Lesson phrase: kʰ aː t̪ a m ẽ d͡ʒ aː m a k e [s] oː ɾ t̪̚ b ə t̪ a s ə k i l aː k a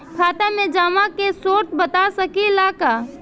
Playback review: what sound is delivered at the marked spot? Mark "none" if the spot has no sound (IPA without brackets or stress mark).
s